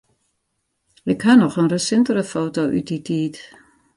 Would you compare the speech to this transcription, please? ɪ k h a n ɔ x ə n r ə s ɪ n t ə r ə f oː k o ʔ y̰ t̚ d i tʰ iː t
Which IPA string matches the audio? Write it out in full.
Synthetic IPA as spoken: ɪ k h a n ɔ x ə n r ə s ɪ n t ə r ə f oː t o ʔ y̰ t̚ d i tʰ iː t